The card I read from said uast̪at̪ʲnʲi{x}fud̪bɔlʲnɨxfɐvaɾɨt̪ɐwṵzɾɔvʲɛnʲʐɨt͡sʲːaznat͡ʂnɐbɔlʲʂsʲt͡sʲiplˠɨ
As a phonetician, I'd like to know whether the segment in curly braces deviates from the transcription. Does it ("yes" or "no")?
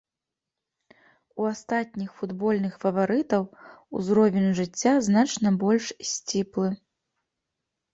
no